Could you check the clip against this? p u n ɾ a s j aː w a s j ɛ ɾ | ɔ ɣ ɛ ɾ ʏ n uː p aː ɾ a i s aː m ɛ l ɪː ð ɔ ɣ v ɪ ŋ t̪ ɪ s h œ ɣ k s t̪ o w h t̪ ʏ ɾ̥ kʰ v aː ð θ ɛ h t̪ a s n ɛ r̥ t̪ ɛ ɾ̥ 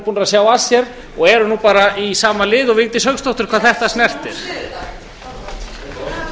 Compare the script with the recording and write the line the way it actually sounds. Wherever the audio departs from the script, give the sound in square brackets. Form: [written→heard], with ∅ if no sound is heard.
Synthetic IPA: p u n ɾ a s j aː w a s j ɛ ɾ | ɔ ɣ ɛ ɾ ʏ n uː p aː ɾ a i s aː m [ɛ→a] l ɪː ð ɔ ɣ v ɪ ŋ t̪ ɪ s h œ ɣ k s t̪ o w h t̪ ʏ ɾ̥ kʰ v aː ð θ ɛ h t̪ a s n ɛ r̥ t̪ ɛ ɾ̥